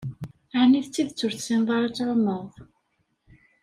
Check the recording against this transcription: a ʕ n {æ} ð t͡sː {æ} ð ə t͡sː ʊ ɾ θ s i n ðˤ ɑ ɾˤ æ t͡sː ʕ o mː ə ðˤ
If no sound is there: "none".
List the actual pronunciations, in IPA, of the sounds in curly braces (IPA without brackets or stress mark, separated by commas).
i, i